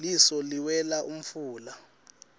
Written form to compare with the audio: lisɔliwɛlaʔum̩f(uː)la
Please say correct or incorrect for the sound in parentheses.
correct